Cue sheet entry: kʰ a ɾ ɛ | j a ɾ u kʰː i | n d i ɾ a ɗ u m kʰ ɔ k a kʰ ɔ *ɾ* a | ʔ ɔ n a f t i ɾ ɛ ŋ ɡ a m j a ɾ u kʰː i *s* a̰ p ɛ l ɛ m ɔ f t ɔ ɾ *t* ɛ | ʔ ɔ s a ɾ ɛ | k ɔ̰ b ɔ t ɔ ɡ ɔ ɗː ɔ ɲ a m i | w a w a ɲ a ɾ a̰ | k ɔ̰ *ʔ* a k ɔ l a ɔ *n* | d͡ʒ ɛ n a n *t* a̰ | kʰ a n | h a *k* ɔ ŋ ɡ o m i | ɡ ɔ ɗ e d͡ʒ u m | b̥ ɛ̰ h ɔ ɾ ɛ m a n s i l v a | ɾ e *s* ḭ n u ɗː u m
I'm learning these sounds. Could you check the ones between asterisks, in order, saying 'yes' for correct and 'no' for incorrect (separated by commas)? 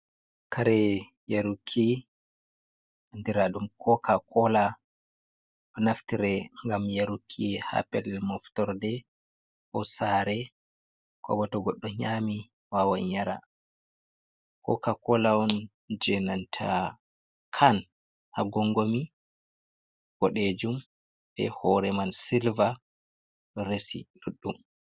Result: no, no, no, no, yes, no, no, yes